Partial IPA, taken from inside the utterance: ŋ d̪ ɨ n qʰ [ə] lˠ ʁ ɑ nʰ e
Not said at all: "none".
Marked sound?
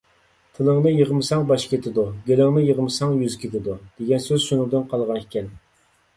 ɑ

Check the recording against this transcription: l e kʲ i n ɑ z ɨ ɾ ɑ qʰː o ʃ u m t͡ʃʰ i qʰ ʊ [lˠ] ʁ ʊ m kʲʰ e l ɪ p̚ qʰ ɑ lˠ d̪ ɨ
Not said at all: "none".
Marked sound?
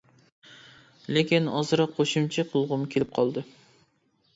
lˠ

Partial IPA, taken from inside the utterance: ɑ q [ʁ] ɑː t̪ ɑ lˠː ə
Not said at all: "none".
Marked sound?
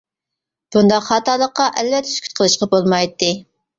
χ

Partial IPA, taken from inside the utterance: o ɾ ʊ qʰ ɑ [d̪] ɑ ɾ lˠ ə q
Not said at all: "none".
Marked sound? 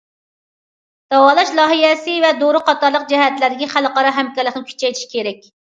t̪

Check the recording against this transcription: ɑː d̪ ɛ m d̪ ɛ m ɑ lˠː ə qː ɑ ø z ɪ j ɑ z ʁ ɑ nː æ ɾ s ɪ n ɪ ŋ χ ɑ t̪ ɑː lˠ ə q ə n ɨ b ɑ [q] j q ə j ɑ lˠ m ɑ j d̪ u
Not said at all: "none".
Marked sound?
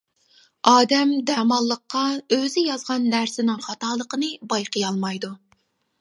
none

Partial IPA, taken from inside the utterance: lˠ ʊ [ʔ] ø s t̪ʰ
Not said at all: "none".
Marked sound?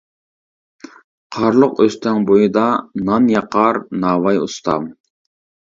q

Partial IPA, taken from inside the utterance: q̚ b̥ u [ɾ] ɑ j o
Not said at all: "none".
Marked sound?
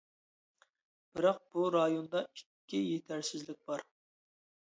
ɾ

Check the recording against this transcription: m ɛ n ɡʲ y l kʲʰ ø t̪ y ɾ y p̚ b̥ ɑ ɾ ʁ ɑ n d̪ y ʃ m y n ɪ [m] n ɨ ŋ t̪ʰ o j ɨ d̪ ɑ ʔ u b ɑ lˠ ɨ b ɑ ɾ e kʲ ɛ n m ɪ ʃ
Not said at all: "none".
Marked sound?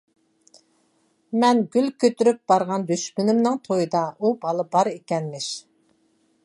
m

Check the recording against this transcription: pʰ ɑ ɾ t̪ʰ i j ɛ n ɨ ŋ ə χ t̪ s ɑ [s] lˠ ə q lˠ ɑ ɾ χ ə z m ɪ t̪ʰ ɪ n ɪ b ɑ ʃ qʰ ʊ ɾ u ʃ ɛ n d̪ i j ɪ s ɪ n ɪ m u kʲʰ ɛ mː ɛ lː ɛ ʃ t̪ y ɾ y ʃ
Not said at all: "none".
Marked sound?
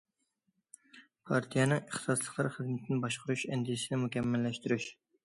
s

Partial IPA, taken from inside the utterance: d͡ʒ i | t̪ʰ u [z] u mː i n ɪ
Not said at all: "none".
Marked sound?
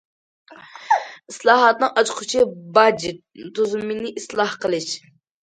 z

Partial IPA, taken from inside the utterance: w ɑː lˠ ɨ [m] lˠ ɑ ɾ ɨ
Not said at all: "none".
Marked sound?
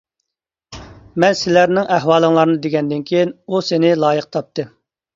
ŋ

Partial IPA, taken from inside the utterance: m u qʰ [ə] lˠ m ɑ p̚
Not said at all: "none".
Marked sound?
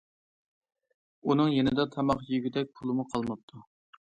ɑ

